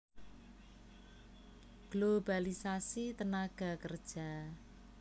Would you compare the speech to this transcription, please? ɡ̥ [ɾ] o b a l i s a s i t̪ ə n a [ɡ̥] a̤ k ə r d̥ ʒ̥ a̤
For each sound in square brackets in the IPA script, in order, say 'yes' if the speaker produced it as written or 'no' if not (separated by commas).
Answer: no, yes